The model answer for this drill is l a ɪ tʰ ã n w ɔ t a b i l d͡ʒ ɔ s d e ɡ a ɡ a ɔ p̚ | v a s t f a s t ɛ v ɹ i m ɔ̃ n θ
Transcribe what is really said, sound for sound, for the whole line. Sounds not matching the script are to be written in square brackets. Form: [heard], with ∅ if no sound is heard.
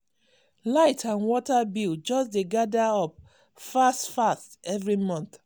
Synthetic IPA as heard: l a ɪ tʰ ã n w ɔ t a b i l d͡ʒ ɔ s d e ɡ a [d] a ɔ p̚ | [f] a s t f a s t ɛ v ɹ i m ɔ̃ n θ